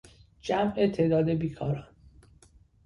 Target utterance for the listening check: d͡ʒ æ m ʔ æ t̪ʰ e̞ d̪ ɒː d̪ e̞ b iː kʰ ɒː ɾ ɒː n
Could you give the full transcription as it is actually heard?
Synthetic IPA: d͡ʒ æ m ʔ e t̪ʰ e̞ d̪ ɒː d̪ e̞ b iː kʰ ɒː ɾ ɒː n